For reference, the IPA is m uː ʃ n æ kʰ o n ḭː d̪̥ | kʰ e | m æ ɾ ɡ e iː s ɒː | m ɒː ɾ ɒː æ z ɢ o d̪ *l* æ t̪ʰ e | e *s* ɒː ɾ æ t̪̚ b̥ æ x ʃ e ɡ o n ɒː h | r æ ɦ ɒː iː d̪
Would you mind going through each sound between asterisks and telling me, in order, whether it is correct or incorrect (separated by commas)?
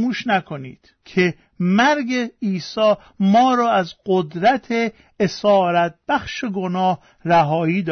incorrect, correct